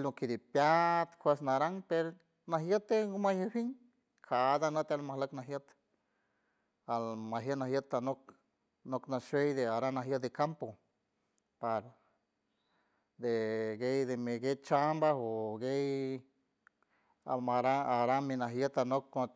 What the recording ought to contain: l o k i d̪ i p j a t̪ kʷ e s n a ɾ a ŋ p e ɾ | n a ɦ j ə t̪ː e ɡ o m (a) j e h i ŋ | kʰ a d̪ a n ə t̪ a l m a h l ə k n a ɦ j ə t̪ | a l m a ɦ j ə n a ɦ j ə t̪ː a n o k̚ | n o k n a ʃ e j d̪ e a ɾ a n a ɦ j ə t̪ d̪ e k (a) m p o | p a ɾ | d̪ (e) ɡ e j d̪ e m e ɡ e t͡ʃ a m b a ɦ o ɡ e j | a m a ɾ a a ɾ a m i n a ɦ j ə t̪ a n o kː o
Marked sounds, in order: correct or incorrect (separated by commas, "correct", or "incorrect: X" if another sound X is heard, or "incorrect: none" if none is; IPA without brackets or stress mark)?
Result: correct, correct, correct